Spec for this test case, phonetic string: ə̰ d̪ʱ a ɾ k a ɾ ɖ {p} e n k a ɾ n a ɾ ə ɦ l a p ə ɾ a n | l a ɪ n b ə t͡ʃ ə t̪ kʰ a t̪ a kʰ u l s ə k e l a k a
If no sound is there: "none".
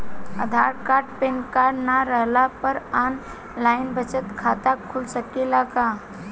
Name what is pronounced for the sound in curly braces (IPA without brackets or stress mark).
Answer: p